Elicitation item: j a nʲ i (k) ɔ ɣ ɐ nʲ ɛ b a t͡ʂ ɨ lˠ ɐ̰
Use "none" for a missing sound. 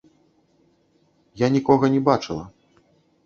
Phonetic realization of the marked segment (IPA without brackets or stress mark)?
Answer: k